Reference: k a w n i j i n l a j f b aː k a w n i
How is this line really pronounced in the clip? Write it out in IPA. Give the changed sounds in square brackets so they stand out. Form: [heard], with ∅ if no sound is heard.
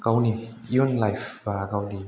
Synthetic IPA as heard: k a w n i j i n l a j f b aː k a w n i